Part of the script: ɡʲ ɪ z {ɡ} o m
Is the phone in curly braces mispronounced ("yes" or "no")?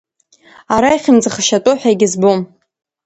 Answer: yes